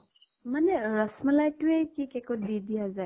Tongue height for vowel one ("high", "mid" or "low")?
low